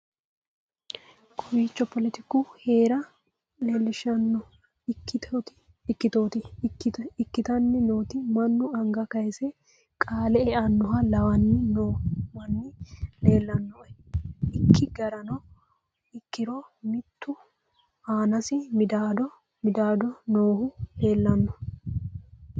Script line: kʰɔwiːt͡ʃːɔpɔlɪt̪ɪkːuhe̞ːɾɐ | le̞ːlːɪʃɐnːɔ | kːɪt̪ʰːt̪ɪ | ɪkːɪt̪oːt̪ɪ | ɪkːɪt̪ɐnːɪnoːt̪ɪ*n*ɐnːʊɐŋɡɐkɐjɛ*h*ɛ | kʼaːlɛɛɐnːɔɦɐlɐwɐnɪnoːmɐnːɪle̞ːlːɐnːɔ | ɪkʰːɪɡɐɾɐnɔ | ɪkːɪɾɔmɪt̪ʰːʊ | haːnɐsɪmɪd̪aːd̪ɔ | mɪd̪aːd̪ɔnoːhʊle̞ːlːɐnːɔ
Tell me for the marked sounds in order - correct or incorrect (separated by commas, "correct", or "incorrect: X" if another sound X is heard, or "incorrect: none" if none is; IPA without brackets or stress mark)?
incorrect: m, incorrect: s